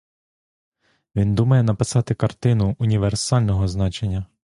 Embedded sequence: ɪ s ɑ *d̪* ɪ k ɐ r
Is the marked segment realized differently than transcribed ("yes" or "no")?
yes